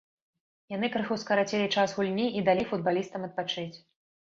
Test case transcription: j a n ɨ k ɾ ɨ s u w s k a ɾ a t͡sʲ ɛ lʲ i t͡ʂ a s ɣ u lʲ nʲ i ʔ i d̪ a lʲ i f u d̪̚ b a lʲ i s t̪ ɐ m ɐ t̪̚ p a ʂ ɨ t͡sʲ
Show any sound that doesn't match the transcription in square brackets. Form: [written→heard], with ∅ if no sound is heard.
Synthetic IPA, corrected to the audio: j a n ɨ k ɾ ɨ [s→x] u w s k [a→ɐ] ɾ a t͡sʲ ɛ lʲ i t͡ʂ a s ɣ u lʲ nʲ i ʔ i d̪ a lʲ i f u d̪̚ b a lʲ i s t̪ ɐ m ɐ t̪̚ p a [ʂ→t͡ʂ] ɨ t͡sʲ